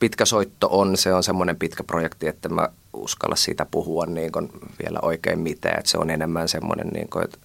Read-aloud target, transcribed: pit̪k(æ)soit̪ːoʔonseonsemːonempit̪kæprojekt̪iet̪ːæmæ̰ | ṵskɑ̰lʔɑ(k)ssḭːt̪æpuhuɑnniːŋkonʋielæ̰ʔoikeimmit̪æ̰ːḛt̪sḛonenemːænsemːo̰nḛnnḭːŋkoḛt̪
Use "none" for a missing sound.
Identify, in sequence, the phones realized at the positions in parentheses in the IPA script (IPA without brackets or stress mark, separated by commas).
æ, none